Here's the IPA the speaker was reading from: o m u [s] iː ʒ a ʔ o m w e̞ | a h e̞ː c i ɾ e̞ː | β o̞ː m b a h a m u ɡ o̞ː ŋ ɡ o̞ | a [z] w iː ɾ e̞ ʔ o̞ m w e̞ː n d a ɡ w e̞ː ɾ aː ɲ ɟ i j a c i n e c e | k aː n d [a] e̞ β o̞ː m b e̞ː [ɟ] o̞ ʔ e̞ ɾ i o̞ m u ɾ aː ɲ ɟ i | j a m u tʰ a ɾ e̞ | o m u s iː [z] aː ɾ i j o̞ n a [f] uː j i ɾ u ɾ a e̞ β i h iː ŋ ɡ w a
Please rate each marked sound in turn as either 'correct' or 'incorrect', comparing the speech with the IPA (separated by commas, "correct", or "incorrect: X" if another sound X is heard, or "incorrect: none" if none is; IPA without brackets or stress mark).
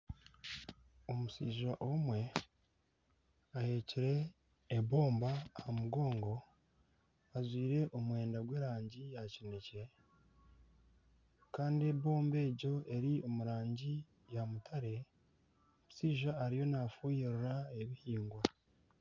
correct, correct, incorrect: i, correct, incorrect: ʒ, correct